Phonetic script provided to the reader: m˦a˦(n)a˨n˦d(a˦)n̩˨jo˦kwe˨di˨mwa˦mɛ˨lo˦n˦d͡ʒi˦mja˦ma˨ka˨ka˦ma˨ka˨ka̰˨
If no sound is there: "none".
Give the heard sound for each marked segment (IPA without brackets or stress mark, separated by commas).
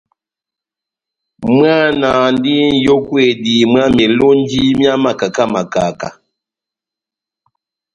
n, i˦